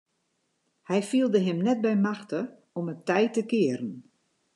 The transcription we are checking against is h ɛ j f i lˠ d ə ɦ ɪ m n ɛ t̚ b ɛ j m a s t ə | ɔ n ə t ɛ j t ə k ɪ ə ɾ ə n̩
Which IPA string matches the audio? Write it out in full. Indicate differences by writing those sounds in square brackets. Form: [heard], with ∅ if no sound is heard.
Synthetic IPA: h ɛ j f i lˠ d ə ɦ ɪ m n ɛ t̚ b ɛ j m a [x] t ə | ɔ [m] ə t ɛ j t ə k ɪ ə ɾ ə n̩